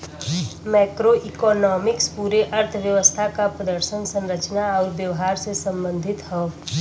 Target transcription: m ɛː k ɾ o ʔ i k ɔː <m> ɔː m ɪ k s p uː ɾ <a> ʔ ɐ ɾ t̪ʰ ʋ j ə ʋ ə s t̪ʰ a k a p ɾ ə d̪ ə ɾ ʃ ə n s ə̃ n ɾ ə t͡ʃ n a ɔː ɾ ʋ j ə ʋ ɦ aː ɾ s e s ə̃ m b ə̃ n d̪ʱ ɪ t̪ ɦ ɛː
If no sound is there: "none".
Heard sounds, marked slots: n, e

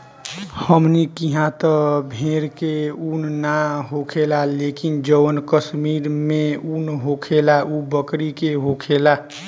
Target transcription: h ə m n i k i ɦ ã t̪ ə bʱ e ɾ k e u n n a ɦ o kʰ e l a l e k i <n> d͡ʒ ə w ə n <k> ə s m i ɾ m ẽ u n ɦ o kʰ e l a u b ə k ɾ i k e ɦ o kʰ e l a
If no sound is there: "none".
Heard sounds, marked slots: n, k

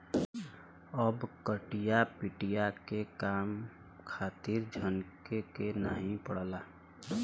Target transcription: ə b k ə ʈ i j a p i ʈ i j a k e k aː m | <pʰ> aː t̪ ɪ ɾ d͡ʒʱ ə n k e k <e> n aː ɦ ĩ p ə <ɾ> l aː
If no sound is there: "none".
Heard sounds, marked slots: kʰ, e, ɽ

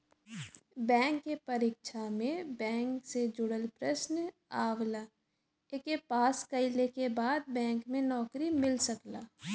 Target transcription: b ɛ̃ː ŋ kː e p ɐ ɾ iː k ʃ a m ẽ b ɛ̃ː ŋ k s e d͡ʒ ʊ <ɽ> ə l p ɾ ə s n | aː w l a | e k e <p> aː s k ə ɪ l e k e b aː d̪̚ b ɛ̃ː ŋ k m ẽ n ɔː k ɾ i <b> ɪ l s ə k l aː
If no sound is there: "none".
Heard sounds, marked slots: ɽ, p, m

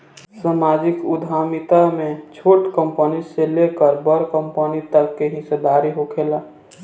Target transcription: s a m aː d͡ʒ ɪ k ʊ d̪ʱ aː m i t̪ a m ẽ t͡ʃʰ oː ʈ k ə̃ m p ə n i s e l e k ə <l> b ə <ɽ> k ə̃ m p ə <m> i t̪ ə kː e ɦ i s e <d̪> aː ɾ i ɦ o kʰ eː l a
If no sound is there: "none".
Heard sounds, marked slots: ɾ, ɾ, n, d̪

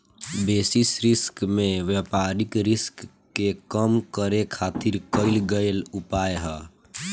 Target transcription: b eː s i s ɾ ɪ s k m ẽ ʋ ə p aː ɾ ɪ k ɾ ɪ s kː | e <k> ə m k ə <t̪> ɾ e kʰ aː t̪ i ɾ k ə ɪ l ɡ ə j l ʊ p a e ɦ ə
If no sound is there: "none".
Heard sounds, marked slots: k, none

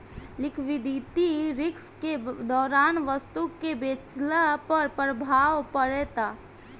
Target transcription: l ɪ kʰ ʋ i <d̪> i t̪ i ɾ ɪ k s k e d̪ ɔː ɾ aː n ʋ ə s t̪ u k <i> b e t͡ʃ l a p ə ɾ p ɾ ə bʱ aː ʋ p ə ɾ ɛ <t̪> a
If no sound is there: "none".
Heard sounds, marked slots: d̪, e, t̪

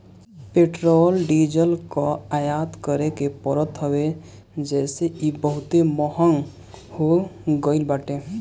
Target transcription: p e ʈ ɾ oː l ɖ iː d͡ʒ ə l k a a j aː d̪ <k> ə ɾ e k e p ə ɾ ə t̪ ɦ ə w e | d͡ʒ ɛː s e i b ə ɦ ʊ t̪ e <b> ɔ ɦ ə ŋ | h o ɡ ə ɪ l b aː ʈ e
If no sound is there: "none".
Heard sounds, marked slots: k, m

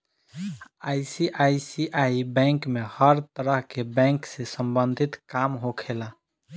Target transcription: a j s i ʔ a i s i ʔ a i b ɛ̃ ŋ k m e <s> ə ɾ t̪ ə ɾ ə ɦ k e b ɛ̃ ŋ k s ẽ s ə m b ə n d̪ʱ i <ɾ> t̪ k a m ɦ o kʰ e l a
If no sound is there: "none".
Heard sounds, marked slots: h, none

